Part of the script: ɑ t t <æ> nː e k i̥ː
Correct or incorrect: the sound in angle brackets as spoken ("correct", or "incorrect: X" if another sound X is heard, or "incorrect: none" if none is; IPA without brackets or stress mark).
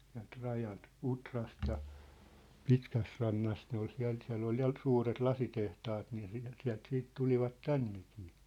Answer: correct